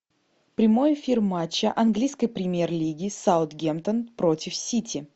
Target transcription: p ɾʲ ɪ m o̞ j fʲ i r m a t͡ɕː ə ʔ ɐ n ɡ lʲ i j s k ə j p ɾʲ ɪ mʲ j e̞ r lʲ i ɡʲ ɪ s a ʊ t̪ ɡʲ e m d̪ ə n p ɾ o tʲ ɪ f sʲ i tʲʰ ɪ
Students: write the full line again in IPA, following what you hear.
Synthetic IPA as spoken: p ɾʲ ɪ m o̞ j fʲ i r m a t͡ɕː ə ʔ ɐ n ɡ lʲ i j s k ə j p ɾʲ ɪ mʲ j e̞ r lʲ i ɡʲ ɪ s a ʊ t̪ ɡʲ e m t̪ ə n p ɾ o tʲ ɪ f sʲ i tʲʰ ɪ